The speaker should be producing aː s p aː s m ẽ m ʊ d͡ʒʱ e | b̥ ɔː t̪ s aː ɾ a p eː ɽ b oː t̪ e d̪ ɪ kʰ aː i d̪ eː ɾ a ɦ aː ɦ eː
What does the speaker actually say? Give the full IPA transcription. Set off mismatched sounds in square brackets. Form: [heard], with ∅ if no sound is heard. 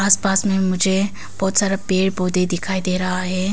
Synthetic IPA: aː s p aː s m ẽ m ʊ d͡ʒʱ e | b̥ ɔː t̪ s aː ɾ a p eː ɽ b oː [d̪] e d̪ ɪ kʰ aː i d̪ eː ɾ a ɦ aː ɦ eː